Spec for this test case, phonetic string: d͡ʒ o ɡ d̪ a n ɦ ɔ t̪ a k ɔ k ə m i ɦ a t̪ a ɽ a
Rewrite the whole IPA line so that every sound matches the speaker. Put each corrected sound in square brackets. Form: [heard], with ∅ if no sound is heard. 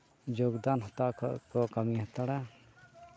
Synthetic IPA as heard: d͡ʒ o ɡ d̪ a n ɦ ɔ t̪ a k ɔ k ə m i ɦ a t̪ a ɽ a